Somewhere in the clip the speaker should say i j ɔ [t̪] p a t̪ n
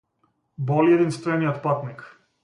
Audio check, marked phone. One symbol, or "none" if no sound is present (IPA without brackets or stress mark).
t̪